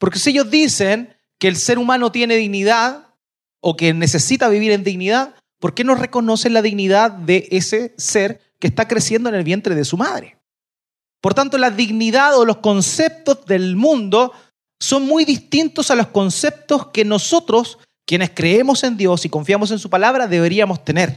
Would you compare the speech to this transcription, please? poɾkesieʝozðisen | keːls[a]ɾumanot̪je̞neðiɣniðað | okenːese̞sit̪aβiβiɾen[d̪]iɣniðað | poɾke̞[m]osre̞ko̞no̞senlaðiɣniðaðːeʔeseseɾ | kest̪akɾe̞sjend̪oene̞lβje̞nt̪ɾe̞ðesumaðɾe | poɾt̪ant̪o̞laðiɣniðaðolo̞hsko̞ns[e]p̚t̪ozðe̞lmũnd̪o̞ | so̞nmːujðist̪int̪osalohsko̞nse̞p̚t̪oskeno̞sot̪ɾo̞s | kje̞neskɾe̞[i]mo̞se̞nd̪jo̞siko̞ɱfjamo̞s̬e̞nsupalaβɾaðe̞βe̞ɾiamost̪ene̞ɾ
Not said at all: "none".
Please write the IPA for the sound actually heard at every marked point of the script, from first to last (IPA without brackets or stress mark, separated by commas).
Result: e, d̪, n, e, e